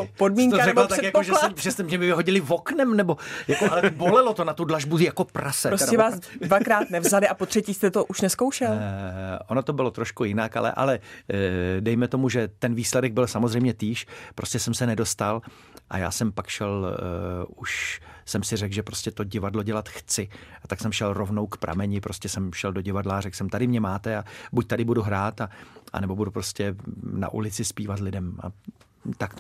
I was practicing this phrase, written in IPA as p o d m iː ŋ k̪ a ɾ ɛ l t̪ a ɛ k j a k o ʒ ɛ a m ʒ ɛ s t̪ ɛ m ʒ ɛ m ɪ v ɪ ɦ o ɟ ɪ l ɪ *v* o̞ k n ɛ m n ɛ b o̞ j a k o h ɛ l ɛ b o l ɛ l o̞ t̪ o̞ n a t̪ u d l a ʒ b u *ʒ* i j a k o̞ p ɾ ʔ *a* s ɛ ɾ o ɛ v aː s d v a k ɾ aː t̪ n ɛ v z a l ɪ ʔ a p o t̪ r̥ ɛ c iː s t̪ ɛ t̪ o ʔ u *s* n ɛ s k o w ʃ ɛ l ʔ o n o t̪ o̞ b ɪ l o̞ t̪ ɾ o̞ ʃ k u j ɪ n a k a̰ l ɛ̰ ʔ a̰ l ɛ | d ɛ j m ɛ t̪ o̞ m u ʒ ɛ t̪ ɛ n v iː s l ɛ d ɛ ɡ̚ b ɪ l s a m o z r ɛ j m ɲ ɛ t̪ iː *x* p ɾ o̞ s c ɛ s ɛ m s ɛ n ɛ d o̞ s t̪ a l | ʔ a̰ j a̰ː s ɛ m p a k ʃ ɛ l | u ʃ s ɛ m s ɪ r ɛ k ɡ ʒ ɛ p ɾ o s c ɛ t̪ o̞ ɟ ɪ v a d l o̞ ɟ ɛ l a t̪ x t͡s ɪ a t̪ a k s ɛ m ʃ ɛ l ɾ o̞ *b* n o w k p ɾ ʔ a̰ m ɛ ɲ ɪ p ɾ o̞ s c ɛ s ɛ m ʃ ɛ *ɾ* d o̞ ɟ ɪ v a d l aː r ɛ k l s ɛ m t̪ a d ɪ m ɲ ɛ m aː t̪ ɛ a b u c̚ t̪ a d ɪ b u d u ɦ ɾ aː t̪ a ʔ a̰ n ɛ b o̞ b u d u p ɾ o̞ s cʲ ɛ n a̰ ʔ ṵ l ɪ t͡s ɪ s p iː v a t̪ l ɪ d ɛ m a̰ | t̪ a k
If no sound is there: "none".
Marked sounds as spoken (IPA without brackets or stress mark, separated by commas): v, z, a, ʃ, ʃ, v, l